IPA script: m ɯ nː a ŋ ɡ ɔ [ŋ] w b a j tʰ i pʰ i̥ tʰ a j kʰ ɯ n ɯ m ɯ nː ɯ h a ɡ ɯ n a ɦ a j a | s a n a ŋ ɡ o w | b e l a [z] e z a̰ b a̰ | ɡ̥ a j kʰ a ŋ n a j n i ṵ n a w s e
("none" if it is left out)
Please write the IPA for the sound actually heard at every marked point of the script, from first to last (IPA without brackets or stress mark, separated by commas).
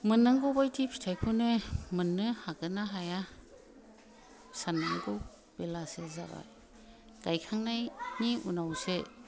none, s